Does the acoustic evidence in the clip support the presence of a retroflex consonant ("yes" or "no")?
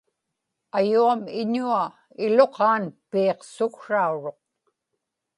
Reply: yes